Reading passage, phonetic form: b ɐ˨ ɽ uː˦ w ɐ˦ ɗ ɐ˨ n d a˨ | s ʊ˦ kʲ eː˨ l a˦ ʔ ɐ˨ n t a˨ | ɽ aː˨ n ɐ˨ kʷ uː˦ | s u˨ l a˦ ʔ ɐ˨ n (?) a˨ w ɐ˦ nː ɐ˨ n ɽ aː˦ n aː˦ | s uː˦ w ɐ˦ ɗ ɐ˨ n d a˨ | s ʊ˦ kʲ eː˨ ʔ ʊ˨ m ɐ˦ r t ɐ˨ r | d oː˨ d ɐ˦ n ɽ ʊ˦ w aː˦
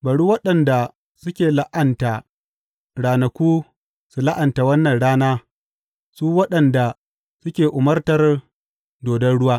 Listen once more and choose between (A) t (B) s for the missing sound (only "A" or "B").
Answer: A